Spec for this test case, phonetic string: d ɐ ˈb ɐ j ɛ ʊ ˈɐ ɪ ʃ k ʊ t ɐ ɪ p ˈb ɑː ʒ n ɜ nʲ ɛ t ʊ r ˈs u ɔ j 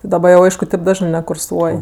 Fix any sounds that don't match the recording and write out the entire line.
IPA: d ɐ ˈb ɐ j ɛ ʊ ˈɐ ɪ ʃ k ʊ t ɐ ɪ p ˈd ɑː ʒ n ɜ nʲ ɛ k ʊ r ˈs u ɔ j